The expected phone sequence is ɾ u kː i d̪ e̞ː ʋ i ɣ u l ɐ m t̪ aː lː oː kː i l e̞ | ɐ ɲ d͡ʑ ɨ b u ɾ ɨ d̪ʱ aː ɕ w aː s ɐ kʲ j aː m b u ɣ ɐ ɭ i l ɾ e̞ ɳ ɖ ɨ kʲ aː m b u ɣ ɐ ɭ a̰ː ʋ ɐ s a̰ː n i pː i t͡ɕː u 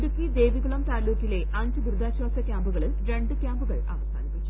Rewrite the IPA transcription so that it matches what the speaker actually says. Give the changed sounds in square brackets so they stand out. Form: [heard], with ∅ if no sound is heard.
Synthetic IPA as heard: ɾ u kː i d̪ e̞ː ʋ i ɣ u [ɭ] ɐ m t̪ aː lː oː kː i l e̞ | ɐ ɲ d͡ʑ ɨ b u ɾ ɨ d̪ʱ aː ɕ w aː s ɐ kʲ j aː m b u ɣ ɐ ɭ i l ɾ e̞ ɳ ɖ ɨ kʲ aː m b u ɣ ɐ ɭ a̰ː ʋ ɐ s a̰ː n i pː i t͡ɕː u